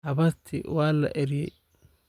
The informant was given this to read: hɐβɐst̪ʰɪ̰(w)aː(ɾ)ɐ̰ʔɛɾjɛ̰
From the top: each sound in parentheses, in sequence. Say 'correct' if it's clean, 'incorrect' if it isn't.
correct, incorrect: l

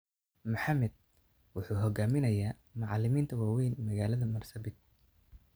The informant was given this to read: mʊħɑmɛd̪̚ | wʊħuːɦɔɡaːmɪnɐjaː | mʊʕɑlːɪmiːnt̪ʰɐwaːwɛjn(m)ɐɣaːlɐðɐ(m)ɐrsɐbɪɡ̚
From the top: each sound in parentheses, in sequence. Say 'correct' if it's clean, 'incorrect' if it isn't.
correct, correct

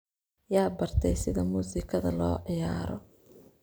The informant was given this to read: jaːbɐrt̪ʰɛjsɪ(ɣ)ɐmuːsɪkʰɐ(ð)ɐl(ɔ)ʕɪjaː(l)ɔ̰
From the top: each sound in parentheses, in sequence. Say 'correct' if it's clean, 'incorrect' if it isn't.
incorrect: ð, correct, incorrect: ɔː, incorrect: ɾ

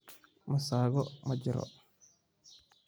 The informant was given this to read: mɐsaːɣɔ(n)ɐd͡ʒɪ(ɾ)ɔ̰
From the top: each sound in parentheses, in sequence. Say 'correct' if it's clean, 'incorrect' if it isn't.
incorrect: m, correct

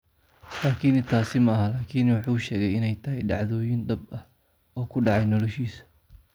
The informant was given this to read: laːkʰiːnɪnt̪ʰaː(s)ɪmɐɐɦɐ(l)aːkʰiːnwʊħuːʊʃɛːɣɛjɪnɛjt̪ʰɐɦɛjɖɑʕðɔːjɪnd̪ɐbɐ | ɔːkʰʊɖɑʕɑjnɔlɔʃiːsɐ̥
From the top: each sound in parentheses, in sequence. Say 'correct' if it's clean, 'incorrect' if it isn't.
correct, correct

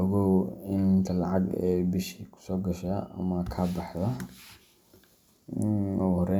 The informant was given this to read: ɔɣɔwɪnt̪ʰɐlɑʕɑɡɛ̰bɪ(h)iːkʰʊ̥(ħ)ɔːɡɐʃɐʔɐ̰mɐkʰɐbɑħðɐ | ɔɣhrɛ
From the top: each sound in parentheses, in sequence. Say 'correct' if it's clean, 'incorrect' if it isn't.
incorrect: ʃ, incorrect: s

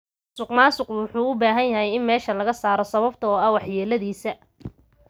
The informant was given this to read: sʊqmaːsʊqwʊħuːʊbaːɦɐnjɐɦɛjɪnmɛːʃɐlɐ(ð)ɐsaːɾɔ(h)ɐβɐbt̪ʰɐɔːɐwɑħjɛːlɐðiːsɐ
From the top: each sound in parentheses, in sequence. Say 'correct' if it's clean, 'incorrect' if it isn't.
incorrect: ɣ, incorrect: s

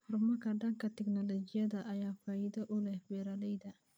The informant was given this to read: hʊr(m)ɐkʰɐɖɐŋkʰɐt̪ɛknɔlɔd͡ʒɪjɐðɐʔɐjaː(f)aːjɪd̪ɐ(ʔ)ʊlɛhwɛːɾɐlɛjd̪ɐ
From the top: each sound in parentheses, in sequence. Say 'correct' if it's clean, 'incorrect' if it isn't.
correct, correct, correct

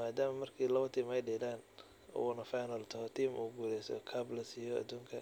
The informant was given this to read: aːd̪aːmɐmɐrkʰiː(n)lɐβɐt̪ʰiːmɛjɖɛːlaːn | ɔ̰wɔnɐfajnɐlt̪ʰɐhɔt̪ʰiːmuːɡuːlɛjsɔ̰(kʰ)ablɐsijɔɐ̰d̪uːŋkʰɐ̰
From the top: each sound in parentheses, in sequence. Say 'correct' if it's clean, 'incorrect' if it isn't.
incorrect: none, correct

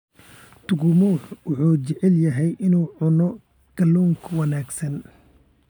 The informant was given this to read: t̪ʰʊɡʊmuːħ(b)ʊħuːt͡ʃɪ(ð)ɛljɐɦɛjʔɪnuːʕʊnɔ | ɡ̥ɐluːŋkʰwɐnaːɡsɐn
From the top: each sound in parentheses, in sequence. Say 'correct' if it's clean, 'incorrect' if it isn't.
incorrect: w, incorrect: ʕ

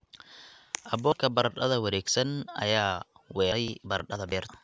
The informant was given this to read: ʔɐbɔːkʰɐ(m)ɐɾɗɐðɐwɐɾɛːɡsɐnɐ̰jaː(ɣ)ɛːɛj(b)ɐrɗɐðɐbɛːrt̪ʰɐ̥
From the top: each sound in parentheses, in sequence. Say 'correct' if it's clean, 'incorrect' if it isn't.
incorrect: b, incorrect: w, correct

